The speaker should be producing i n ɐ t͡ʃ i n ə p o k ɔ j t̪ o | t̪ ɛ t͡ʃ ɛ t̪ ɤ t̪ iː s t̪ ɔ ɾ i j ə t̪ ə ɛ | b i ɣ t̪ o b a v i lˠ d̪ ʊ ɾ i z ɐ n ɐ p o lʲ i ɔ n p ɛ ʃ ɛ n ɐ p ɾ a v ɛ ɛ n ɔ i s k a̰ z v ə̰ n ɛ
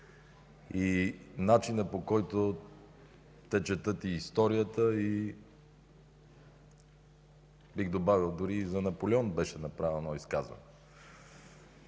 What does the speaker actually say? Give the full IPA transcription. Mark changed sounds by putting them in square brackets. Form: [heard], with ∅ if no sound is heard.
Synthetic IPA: i n [a] t͡ʃ i n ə p o k ɔ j t̪ o | t̪ ɛ t͡ʃ ɛ t̪ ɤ t̪ iː s t̪ ɔ ɾ i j ə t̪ ə [i] | b i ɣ [d̪] o b a v i lˠ d̪ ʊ ɾ i z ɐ n ɐ p o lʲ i ɔ n [b] ɛ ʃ ɛ n ɐ p ɾ a v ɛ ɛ n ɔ i s k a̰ z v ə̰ n ɛ